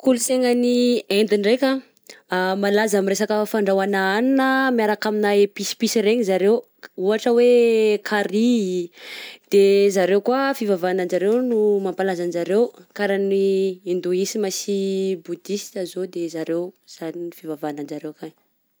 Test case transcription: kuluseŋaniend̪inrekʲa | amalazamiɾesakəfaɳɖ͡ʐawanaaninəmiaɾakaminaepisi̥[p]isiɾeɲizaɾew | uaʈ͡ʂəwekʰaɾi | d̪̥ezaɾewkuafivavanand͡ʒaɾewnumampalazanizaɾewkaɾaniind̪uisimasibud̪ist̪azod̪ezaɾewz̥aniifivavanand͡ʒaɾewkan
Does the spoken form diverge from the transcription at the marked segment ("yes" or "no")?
no